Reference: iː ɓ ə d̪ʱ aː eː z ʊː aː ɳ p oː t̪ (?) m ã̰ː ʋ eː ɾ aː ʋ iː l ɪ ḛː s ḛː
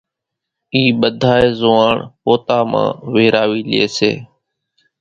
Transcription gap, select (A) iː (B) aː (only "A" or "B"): B